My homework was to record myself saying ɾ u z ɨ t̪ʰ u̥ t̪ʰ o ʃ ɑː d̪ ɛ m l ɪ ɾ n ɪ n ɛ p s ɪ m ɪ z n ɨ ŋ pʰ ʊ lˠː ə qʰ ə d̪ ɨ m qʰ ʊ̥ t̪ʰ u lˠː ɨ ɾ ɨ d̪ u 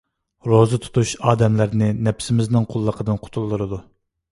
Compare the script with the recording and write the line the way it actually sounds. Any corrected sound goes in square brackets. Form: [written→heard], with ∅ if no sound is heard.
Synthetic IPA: ɾ [u→o] z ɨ t̪ʰ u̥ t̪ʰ [o→u] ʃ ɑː d̪ ɛ m l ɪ ɾ n ɪ n ɛ p s ɪ m ɪ z n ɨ ŋ [pʰ→qʰ] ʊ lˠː ə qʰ ə d̪ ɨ [m→n] qʰ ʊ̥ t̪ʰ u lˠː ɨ ɾ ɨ d̪ u